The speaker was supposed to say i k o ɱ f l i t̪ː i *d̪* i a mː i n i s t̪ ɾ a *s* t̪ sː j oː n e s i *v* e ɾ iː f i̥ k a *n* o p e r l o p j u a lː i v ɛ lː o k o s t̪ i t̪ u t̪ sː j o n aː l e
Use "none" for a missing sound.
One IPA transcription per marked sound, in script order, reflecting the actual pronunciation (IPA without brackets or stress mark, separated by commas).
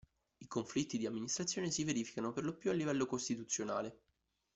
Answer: d̪, none, v, n